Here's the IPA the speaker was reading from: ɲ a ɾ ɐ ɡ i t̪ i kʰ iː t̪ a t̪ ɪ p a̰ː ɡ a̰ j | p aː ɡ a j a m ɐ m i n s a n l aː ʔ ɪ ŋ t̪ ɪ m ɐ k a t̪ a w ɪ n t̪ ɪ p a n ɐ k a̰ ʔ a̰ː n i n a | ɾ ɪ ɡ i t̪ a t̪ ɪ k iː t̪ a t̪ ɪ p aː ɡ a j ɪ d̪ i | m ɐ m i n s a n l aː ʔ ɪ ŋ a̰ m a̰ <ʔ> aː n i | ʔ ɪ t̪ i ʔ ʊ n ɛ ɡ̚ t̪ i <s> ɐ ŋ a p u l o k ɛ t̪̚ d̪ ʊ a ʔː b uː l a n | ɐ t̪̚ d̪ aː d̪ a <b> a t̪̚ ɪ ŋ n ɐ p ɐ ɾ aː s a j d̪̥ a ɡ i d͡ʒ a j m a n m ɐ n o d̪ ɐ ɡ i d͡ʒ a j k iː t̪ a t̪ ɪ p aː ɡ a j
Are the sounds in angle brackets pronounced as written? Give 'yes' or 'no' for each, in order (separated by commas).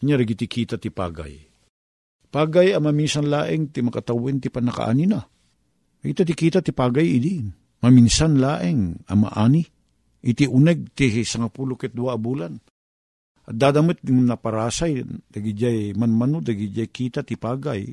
yes, yes, no